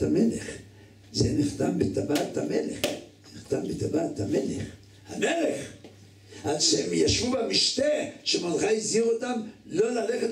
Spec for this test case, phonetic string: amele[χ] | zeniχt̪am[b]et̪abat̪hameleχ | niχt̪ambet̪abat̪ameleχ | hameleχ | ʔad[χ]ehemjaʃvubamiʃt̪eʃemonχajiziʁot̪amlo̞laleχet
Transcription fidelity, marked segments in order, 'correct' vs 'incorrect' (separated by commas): correct, correct, incorrect